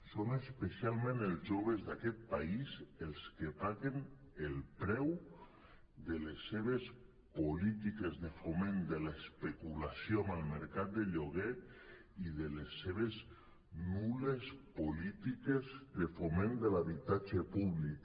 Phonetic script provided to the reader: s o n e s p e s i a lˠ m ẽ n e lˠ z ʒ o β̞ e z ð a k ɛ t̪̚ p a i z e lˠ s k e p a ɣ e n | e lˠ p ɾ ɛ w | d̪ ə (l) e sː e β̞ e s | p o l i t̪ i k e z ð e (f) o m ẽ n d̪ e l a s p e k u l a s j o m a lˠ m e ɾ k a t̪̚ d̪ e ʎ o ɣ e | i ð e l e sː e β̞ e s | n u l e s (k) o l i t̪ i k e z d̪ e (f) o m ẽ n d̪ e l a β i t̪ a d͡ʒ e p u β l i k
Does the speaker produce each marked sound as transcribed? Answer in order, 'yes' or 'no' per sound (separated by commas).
yes, yes, no, yes